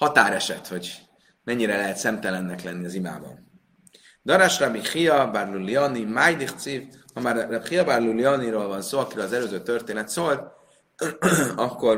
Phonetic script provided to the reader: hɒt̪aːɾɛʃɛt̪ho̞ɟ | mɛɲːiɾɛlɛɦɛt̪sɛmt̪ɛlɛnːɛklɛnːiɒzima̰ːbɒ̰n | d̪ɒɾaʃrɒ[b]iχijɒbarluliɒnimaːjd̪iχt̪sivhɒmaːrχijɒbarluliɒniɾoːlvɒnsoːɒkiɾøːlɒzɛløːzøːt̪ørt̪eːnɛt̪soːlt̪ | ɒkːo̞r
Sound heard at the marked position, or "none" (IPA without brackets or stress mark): b